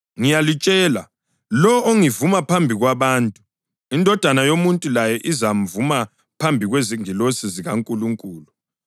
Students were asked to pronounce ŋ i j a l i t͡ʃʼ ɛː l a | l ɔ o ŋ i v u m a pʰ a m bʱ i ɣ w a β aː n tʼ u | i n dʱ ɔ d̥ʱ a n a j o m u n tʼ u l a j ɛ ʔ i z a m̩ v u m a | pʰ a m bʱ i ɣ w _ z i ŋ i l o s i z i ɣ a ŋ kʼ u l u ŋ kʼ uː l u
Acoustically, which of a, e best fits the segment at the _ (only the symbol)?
e